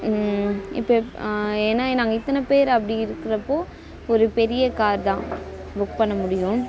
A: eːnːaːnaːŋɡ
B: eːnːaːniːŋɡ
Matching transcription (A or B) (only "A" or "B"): A